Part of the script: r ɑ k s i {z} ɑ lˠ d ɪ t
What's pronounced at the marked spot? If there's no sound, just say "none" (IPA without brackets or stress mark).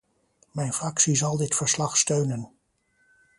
z